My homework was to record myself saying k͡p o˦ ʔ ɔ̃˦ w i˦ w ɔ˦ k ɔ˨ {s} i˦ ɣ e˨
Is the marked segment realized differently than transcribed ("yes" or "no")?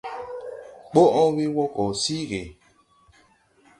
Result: no